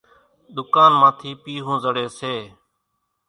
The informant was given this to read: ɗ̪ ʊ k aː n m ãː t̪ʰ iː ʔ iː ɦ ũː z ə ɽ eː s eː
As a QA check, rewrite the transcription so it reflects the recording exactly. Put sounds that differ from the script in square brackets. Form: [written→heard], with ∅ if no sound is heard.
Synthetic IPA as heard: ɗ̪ ʊ k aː n m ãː t̪ʰ iː [ʔ→p] iː ɦ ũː z ə ɽ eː s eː